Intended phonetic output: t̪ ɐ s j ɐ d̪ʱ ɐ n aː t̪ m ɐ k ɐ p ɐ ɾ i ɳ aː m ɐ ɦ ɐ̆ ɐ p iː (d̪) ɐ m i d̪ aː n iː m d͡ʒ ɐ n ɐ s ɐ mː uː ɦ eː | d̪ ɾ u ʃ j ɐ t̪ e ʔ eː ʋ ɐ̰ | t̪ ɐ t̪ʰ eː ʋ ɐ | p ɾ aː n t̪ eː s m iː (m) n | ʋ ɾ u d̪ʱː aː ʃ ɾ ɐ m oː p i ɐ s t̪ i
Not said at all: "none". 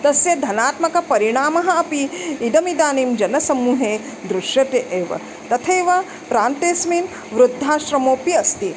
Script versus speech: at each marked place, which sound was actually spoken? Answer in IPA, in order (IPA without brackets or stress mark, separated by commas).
d̪, none